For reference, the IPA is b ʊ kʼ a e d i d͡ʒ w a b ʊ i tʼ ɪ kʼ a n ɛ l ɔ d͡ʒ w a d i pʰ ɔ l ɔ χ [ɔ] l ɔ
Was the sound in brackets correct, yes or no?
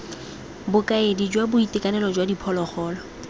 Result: no